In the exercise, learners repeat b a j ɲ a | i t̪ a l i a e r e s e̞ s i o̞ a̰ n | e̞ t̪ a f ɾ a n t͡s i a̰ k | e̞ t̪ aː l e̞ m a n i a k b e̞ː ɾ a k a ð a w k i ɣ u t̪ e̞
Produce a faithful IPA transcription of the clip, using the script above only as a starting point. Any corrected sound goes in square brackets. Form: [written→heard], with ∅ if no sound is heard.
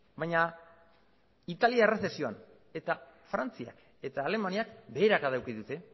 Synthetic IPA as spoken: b a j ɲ a | i t̪ a l i a e r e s e̞ s i o̞ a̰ n | e̞ t̪ a f ɾ a n t͡s i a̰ k | e̞ t̪ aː l e̞ m a n i a k b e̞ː ɾ a k a ð a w k i [ɣ→ð] u t̪ e̞